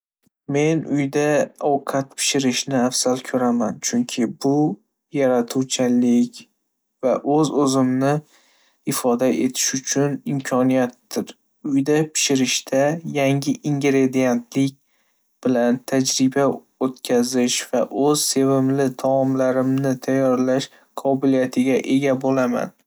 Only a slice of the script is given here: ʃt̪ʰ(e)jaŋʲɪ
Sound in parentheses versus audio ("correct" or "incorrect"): incorrect